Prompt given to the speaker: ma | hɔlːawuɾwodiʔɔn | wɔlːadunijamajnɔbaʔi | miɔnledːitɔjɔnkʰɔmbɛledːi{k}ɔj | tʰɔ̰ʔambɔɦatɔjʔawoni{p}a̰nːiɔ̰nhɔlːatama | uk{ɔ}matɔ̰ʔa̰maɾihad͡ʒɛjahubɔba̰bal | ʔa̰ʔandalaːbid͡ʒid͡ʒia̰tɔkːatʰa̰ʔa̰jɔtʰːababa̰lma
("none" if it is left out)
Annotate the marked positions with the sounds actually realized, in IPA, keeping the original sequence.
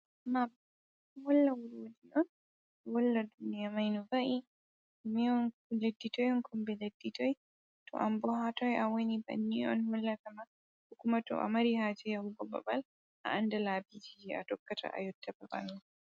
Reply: t, b, u

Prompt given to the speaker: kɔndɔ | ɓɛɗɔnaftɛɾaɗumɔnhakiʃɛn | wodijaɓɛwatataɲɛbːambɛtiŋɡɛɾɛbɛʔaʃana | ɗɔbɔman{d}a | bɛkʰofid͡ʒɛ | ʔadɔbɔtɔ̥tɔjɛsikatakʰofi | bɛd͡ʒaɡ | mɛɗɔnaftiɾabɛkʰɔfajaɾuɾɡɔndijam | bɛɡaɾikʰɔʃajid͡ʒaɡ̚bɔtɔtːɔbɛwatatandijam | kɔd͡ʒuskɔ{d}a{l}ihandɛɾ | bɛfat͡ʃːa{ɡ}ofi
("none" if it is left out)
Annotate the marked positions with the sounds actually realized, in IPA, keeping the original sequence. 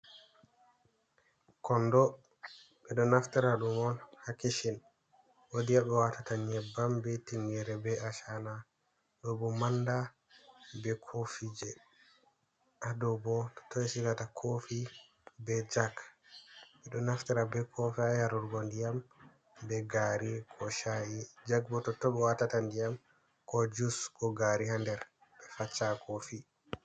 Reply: d, ɡ, ɾ, k

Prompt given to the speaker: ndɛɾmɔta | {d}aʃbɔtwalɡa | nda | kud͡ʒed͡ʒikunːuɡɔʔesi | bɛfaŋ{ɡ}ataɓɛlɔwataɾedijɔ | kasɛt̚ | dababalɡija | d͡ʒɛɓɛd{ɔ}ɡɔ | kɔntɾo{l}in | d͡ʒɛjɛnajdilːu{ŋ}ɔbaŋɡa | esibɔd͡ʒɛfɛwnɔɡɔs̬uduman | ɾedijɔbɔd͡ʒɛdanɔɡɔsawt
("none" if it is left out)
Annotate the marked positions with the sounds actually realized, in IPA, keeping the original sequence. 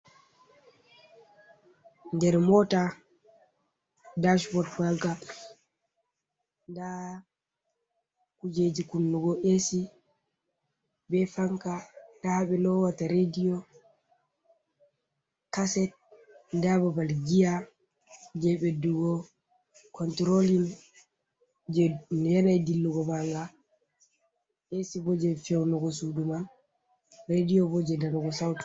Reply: d, k, u, l, ɡ

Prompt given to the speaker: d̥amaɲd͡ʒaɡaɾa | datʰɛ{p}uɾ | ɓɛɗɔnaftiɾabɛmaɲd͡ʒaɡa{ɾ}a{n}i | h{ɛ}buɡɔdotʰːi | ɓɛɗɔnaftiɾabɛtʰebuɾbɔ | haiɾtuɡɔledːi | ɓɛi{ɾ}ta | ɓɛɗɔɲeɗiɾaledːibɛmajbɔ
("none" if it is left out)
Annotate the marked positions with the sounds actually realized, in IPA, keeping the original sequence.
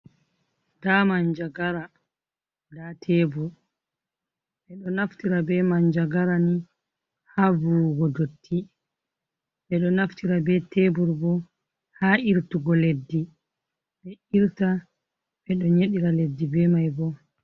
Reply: b, ɾ, n, a, ɾ

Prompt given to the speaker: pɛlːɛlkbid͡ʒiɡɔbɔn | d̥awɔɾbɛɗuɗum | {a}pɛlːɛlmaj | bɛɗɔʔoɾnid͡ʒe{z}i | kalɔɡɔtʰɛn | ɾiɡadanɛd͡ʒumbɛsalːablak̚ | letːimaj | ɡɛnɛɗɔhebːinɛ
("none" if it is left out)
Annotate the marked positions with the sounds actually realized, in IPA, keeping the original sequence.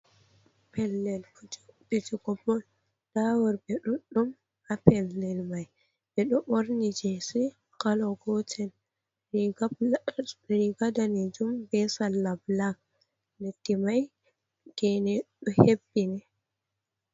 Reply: a, s

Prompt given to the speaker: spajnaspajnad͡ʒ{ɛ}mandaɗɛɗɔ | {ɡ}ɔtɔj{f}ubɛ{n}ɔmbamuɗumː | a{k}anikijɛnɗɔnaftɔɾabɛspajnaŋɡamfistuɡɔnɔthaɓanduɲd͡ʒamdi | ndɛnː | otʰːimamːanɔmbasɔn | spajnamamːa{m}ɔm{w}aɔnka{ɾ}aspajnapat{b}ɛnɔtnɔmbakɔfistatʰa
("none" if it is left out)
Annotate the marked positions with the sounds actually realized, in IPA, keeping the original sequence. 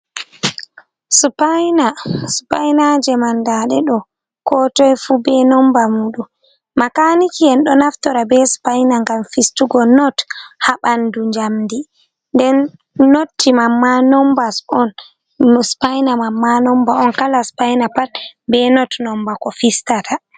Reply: ɛ, k, f, n, k, n, b, l, b

